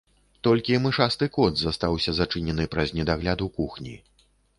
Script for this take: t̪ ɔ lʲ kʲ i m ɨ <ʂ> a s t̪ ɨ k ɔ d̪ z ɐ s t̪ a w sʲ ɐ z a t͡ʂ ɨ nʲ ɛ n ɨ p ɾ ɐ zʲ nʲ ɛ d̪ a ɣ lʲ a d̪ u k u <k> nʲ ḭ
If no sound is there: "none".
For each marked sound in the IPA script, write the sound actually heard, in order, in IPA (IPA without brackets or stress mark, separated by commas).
ʂ, x